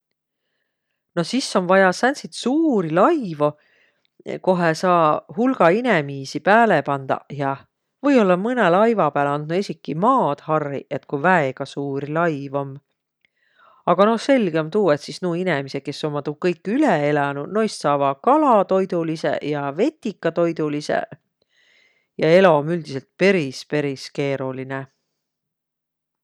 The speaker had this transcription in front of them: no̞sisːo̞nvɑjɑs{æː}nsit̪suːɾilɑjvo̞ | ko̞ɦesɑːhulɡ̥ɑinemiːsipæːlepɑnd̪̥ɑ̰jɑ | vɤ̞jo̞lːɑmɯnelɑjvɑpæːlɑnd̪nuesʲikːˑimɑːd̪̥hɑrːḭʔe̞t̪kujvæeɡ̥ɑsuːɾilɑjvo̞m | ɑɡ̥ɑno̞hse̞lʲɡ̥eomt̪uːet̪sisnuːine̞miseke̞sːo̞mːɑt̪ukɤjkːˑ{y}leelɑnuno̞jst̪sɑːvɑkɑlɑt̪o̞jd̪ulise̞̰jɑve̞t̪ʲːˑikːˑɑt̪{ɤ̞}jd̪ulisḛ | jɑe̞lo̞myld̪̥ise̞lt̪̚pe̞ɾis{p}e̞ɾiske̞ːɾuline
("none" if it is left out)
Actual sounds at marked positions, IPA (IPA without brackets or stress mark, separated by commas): æ, y, o̞, p